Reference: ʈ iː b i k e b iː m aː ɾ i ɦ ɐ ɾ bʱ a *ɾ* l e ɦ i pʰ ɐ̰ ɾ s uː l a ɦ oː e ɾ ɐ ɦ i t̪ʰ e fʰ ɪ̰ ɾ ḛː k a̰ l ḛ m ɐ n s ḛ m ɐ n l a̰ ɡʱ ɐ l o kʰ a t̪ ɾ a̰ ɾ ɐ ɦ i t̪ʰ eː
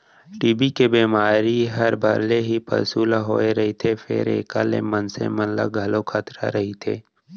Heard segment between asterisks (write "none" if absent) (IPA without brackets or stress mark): ɾ